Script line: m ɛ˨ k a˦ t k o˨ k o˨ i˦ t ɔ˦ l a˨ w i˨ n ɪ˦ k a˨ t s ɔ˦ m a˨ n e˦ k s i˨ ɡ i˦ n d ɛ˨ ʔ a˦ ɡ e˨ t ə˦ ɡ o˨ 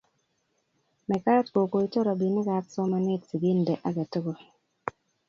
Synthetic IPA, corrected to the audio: m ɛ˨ k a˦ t k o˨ k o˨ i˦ t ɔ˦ ɾ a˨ b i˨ n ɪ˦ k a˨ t s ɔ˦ m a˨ n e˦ t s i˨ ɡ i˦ n d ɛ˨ ʔ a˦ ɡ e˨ t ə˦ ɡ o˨